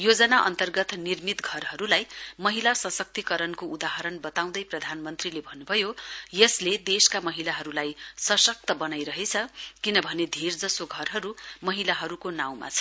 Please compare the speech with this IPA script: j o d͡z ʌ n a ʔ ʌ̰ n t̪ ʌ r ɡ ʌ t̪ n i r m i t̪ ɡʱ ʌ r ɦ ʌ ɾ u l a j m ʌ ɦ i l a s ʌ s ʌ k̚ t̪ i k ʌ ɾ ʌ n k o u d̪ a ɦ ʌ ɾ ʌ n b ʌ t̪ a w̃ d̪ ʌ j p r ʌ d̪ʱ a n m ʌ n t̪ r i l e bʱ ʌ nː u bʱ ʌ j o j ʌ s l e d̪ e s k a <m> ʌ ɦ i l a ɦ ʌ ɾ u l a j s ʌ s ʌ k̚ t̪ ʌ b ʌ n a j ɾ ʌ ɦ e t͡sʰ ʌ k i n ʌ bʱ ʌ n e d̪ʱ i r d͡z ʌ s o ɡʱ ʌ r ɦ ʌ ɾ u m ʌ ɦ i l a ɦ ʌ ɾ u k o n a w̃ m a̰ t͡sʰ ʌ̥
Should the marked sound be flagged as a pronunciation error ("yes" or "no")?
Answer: no